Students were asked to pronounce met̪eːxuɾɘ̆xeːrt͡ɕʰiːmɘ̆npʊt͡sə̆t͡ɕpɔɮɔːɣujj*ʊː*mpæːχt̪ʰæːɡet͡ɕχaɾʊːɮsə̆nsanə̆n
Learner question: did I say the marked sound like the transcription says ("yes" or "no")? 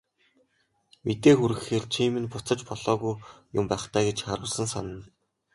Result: no